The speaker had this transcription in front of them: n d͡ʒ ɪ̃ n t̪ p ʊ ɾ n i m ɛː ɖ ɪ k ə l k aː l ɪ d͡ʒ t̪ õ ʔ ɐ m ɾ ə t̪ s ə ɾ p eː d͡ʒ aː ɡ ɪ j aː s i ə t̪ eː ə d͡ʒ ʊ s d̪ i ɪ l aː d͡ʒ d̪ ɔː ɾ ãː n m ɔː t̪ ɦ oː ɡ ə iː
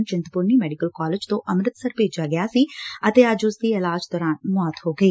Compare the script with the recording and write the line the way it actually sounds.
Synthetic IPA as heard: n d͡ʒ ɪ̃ n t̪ p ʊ ɾ n i m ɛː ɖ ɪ k ə l k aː l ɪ d͡ʒ t̪ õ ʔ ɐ m ɾ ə t̪ s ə ɾ p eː d͡ʒ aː ɡ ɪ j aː s i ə t̪ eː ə d͡ʒ ʊ s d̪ i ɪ l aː d͡ʒ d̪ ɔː ɾ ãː n m ɔː t̪ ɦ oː ɡ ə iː